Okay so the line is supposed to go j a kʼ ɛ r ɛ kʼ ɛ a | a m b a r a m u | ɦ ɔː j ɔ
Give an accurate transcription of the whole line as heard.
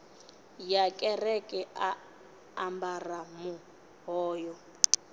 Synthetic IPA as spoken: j a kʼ ɛ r ɛ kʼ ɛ a | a m b a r a m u | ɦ ɔː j ɔ